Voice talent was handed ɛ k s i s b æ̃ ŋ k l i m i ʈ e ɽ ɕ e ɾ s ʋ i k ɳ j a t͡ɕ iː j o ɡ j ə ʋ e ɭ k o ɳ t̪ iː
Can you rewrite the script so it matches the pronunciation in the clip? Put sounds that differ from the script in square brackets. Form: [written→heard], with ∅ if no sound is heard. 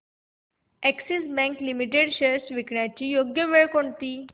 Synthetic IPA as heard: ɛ k s i s b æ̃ ŋ k l i m i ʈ e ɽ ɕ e ɾ s ʋ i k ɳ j a t͡ɕ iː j o ɡ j ə ʋ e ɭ k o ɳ t̪ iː